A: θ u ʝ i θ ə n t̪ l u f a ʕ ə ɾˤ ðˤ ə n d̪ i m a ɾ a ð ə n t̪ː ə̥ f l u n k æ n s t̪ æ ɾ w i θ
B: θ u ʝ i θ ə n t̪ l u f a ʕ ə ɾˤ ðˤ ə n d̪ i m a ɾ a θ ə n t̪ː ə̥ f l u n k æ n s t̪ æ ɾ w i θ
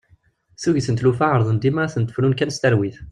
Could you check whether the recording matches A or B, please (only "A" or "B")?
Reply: B